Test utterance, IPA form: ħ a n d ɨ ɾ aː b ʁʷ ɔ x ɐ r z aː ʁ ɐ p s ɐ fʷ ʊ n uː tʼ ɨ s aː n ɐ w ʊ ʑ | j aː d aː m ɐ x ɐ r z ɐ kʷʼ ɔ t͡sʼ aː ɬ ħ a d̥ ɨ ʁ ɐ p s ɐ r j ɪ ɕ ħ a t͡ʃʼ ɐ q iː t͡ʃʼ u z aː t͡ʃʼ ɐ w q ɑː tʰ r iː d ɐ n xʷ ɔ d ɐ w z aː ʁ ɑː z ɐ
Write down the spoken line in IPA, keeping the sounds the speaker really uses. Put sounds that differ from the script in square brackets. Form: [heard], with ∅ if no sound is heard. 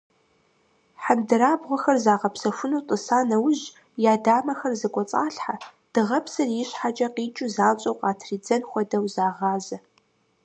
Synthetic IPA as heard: ħ a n d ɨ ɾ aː b ʁʷ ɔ x ɐ r z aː ʁ ɐ p s ɐ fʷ ʊ n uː tʼ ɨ s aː n ɐ w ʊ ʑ | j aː d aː m ɐ x ɐ r z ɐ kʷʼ ɔ t͡sʼ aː ɬ ħ a d̥ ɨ ʁ ɐ p s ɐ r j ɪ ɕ ħ a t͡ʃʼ ɐ q iː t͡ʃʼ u z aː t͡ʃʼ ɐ w q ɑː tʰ r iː [d͡z] ɐ n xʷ ɔ d ɐ w z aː ʁ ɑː z ɐ